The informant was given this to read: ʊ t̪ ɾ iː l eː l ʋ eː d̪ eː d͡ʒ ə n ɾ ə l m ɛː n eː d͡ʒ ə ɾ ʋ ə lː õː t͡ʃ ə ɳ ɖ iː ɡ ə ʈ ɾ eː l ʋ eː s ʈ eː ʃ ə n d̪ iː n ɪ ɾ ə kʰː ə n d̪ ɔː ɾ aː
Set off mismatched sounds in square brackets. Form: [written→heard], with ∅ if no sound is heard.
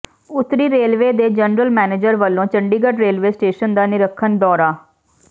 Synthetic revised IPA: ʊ t̪ ɾ iː [l→ɾ] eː l ʋ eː d̪ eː d͡ʒ ə n ɾ ə l m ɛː n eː d͡ʒ ə ɾ ʋ ə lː õː t͡ʃ ə ɳ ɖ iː ɡ ə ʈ ɾ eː l ʋ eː s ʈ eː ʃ ə n d̪ [iː→aː] n ɪ ɾ ə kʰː ə n d̪ ɔː ɾ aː

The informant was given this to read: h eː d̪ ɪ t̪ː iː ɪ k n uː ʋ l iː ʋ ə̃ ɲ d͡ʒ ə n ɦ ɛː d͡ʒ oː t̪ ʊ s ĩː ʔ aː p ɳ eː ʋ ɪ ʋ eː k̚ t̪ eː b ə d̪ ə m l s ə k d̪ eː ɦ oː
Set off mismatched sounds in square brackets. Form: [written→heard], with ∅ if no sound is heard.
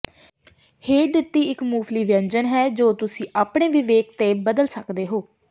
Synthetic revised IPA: h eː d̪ ɪ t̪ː iː ɪ k [n→m] uː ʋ l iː ʋ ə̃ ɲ d͡ʒ ə n ɦ ɛː d͡ʒ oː t̪ ʊ s ĩː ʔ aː p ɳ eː ʋ ɪ ʋ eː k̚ t̪ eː b ə d̪ ə [m→∅] l s ə k d̪ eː ɦ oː

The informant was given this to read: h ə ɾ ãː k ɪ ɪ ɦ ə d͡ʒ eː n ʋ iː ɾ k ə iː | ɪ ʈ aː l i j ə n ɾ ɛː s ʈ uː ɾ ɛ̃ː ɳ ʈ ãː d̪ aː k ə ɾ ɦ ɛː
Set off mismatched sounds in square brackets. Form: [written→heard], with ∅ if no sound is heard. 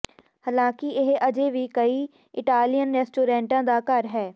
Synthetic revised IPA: h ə [ɾ→l] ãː k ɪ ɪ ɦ ə d͡ʒ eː [n→∅] ʋ iː [ɾ→∅] k ə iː | ɪ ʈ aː l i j ə n ɾ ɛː s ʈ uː ɾ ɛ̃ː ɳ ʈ ãː d̪ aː k ə ɾ ɦ ɛː

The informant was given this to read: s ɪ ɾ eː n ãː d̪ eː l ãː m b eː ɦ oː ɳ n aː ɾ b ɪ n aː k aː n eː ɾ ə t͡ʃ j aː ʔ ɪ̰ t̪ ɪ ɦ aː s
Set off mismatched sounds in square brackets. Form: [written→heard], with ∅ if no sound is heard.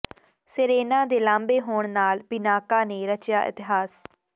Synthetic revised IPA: s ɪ ɾ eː n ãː d̪ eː l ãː m b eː ɦ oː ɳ n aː [ɾ→l] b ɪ n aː k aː n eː ɾ ə t͡ʃ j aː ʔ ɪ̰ t̪ ɪ ɦ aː s

